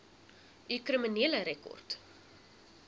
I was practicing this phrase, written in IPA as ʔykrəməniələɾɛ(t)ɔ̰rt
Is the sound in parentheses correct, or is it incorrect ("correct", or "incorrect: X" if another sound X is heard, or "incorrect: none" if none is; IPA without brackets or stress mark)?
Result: incorrect: k